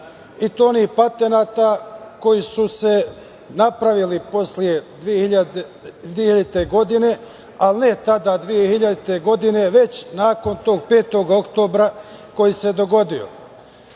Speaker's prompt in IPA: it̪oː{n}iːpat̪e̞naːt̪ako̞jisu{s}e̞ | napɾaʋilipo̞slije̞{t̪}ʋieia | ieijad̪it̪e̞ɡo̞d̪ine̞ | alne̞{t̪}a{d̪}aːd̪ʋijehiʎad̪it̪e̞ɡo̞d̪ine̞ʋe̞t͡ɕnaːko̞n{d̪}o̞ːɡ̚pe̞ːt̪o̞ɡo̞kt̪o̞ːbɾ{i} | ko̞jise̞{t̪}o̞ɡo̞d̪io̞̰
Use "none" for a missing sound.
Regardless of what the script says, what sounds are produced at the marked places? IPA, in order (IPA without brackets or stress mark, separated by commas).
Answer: n, s, d̪, t̪, d̪, t̪, a, d̪